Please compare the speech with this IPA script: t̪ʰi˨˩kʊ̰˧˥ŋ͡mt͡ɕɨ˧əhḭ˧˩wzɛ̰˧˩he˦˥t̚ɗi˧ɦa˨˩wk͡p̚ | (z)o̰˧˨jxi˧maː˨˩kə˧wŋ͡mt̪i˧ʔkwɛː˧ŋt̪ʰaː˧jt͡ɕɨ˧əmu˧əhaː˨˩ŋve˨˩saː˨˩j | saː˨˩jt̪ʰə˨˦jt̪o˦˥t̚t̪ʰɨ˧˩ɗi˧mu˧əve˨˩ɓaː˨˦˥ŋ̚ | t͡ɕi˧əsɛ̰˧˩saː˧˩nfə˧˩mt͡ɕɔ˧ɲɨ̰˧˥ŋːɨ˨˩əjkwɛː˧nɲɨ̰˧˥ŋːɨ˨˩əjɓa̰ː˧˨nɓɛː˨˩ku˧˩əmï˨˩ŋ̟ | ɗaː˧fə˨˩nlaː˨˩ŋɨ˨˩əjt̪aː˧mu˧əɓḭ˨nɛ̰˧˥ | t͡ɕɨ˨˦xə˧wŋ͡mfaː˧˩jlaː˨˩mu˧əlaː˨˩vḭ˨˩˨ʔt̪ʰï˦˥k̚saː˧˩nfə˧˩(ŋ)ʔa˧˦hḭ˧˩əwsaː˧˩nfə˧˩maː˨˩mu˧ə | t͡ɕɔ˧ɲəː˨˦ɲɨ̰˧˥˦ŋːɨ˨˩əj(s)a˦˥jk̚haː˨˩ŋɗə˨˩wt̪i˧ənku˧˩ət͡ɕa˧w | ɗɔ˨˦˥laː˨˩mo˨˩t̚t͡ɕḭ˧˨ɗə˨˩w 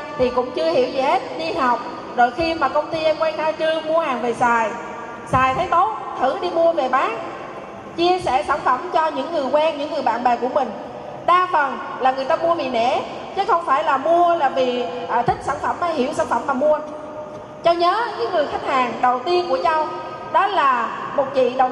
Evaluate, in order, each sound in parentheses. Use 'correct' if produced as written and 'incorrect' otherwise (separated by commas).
correct, incorrect, incorrect